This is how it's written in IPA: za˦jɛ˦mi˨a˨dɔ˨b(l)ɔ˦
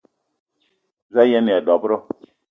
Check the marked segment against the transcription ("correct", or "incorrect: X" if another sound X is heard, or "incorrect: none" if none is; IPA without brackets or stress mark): incorrect: ɾ